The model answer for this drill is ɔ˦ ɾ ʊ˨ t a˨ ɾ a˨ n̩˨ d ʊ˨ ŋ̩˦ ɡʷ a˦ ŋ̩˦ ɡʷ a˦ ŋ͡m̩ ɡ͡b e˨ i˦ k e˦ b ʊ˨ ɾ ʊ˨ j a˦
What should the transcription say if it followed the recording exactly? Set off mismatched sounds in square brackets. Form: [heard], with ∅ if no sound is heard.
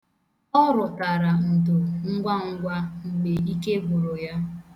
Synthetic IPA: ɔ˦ ɾ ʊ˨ t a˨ ɾ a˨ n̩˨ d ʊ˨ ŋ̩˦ ɡʷ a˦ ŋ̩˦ ɡʷ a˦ ŋ͡m̩ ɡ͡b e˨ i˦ k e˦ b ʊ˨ ɾ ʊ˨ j a˦